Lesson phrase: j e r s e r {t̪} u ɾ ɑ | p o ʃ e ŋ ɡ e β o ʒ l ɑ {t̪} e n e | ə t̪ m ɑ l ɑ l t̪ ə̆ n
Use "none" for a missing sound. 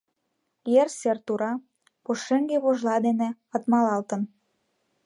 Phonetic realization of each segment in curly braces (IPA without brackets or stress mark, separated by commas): t̪, d̪